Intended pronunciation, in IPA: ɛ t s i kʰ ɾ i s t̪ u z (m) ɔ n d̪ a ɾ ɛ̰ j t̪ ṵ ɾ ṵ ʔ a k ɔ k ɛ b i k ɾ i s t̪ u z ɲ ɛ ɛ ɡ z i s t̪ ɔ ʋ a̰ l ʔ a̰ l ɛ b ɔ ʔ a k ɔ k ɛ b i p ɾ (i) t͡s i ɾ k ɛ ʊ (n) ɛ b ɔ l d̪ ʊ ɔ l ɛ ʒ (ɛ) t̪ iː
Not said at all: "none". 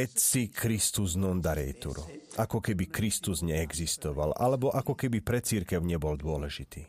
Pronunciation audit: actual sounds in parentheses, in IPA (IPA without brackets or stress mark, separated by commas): n, ɛ, ɲ, i